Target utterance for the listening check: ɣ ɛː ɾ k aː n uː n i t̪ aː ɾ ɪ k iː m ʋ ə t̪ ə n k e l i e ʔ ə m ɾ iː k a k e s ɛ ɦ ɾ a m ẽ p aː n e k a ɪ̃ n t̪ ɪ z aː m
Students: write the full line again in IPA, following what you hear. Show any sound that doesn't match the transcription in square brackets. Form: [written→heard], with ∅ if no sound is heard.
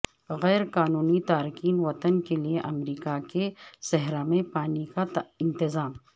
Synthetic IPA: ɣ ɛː ɾ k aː n uː n i t̪ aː ɾ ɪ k iː [m→n] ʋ [ə→ɐ] t̪ ə n k e l i e ʔ [ə→ɐ] m ɾ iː k a k e s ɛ ɦ ɾ a m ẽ p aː n [e→i] k a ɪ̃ n t̪ ɪ z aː m